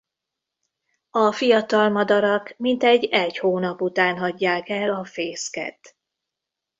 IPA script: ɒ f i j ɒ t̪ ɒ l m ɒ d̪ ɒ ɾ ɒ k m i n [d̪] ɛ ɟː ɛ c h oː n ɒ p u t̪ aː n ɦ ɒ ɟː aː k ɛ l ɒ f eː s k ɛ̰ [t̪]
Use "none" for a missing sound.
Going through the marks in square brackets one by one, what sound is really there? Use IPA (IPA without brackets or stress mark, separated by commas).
t̪, t̪